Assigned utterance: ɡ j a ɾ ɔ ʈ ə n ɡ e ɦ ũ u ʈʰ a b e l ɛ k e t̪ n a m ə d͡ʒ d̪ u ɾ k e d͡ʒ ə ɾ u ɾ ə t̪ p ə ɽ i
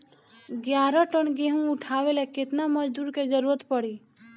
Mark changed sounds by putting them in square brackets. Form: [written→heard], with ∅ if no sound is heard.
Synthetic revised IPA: ɡ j a ɾ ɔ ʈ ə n ɡ e ɦ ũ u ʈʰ a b e l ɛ k e t̪ n a m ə d͡ʒ d̪ u ɾ k e d͡ʒ ə ɾ u ɾ ə t̪ p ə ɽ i